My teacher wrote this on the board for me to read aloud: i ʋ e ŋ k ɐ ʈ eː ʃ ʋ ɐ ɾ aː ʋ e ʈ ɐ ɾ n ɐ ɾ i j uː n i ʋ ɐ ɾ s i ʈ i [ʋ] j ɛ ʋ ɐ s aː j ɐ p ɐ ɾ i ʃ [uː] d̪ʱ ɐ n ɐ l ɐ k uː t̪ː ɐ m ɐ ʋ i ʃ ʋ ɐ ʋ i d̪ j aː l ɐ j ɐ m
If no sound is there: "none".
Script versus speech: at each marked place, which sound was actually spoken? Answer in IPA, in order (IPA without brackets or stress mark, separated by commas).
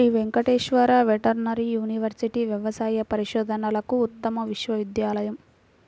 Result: ʋ, ɔː